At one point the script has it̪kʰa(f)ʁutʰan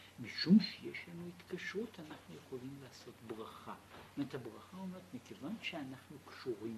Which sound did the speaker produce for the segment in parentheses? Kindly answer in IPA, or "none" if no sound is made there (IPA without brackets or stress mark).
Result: ʃ